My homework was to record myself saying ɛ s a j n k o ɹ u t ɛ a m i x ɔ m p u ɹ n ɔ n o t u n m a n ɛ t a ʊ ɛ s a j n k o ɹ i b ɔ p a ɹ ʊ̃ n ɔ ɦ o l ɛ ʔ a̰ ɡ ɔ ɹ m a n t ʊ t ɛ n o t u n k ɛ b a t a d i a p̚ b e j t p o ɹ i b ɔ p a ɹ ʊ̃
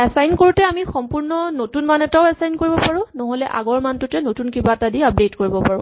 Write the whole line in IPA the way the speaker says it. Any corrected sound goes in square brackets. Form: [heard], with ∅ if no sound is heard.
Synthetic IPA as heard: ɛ s a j n k o ɹ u t ɛ a m i x ɔ m p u ɹ n ɔ n o t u n m a n ɛ t a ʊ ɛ s a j n k o ɹ i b ɔ p a ɹ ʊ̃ n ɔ ɦ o l ɛ ʔ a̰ ɡ ɔ ɹ m a n t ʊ t ɛ n o t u n k [i] b a t a d i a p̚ [d] e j t [k] o ɹ i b ɔ p a ɹ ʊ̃